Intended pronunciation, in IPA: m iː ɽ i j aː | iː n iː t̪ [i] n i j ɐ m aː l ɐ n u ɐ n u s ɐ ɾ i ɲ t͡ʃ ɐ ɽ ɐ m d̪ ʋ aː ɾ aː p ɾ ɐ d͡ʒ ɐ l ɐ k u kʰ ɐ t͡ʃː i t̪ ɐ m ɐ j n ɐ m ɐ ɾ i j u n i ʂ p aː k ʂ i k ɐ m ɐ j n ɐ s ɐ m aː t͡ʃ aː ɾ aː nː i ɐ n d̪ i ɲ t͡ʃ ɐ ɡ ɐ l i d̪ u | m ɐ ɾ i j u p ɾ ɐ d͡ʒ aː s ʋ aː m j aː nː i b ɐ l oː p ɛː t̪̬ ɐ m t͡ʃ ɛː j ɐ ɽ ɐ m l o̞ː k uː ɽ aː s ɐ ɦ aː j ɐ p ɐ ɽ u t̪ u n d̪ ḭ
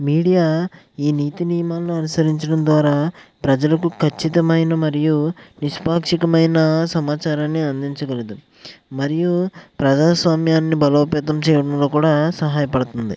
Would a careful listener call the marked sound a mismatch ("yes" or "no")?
no